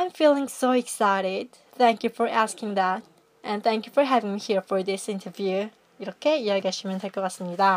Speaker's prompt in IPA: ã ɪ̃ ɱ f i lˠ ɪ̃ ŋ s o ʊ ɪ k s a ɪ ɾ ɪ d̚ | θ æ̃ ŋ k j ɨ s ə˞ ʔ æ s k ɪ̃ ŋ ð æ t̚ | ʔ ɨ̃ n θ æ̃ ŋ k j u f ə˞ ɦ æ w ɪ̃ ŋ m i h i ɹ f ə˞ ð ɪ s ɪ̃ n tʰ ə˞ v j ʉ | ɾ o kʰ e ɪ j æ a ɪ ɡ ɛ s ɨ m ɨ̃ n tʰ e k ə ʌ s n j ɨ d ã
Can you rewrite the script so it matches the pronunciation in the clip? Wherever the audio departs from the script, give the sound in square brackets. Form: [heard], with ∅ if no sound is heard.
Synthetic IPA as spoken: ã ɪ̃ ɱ f i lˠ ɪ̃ ŋ s o ʊ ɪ k s a ɪ ɾ ɪ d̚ | θ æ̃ ŋ k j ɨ [f] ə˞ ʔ æ s k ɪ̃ ŋ ð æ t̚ | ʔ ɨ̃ n θ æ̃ ŋ k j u f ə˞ ɦ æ [v] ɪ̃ ŋ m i h i ɹ f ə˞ ð ɪ s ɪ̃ n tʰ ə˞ v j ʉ | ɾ o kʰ e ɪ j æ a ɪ ɡ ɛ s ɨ m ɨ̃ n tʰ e k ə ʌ s n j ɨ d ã